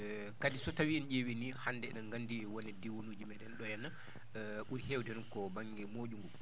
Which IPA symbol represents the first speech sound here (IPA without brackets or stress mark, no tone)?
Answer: k